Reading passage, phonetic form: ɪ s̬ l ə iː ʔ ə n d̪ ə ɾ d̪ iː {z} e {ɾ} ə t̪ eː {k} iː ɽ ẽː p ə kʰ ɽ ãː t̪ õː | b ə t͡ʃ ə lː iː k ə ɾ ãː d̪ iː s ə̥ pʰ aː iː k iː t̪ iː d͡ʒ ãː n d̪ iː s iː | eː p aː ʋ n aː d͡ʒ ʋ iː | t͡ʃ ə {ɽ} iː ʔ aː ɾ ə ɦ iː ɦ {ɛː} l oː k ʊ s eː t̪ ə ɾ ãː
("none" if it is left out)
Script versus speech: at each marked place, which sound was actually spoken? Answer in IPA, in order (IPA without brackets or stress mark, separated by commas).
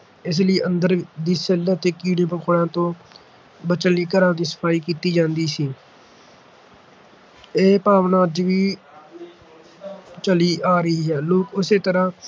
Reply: s, l, k, l, ɛː